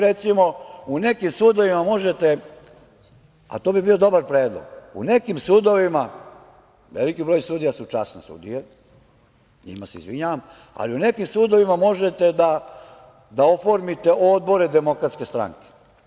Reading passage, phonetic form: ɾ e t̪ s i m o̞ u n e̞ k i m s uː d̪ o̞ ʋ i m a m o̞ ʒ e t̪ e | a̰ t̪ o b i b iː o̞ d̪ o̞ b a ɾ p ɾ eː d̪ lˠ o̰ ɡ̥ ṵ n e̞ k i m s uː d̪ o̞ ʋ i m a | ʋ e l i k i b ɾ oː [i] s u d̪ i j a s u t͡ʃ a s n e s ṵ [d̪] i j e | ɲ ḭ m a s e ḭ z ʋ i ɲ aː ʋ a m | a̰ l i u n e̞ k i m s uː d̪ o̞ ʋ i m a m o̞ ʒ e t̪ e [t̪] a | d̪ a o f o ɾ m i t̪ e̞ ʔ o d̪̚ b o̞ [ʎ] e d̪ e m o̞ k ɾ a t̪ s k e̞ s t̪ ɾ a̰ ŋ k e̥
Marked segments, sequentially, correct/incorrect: incorrect: j, correct, incorrect: d̪, incorrect: ɾ

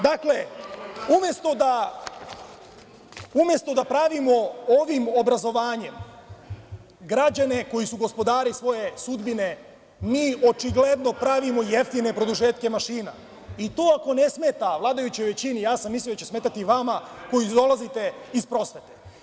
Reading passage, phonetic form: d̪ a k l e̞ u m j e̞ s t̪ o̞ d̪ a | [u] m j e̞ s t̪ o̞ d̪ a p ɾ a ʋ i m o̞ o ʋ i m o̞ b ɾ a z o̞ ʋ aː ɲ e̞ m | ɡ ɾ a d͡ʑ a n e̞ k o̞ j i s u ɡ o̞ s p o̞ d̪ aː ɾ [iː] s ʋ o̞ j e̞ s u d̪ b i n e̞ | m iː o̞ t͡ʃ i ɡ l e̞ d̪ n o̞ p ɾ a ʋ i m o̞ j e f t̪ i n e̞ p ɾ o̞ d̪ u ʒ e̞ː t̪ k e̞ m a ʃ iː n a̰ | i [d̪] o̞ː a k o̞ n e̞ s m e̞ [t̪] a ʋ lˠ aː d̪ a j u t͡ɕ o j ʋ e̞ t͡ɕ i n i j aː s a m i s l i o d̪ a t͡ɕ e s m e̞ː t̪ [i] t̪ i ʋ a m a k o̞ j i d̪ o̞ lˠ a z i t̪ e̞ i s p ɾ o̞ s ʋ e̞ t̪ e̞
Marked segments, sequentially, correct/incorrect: correct, incorrect: i, incorrect: t̪, correct, incorrect: a

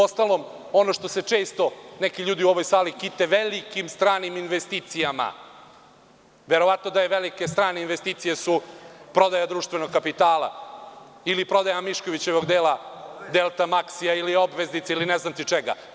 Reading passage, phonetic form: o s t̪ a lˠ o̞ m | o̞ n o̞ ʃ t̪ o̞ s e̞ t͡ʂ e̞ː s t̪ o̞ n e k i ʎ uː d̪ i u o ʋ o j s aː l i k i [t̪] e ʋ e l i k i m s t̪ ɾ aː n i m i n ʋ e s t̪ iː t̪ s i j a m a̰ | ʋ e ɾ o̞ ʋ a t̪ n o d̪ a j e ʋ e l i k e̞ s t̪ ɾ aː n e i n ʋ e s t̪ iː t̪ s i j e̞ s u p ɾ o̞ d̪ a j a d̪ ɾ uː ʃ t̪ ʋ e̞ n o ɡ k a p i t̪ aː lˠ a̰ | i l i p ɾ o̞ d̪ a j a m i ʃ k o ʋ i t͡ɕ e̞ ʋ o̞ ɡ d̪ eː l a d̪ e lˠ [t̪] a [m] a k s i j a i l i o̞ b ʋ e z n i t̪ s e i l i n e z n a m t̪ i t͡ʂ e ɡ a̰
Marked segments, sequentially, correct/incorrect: correct, correct, correct

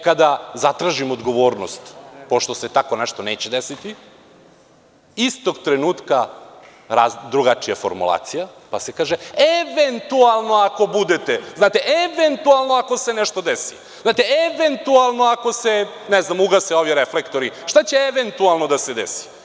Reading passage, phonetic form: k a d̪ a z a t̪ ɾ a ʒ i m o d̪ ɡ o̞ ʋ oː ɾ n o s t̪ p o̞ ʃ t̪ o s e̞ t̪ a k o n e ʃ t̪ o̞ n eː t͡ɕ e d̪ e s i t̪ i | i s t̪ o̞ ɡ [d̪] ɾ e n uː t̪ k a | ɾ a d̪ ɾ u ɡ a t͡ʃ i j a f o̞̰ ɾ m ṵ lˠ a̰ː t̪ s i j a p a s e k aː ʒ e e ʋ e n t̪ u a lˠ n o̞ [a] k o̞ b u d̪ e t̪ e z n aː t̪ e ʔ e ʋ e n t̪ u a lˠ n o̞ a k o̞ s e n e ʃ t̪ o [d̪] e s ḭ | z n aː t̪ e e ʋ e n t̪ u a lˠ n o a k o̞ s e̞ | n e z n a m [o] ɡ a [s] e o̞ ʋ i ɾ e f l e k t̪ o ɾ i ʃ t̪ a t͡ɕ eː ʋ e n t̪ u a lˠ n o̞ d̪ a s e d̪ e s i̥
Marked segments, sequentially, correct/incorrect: incorrect: t̪, correct, correct, incorrect: u, correct

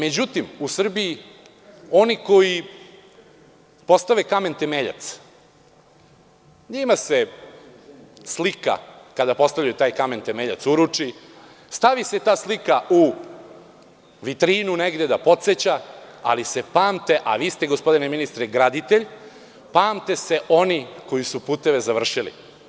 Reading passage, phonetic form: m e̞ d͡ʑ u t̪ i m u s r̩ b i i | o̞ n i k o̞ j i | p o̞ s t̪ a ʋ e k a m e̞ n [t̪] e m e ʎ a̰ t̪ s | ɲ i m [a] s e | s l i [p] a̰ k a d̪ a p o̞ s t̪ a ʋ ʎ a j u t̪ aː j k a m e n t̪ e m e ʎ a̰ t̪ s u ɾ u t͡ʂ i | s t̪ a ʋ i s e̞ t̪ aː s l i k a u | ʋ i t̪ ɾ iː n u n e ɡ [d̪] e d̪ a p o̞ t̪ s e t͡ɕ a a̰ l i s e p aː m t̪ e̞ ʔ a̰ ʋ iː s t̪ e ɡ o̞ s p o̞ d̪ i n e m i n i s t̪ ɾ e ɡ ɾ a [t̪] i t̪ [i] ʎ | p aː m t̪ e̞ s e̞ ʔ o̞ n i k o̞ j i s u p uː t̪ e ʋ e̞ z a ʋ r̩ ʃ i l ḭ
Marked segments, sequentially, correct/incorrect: correct, correct, incorrect: k, correct, incorrect: d̪, incorrect: e

